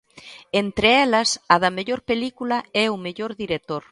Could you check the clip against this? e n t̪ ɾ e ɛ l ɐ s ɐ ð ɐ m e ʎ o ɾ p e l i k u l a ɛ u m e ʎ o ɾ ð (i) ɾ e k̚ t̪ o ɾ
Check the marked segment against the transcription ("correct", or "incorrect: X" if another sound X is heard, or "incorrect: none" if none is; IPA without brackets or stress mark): correct